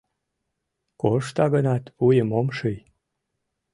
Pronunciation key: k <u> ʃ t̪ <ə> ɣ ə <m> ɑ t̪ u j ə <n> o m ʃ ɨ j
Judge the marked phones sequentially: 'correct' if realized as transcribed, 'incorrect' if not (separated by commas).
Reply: incorrect, incorrect, incorrect, incorrect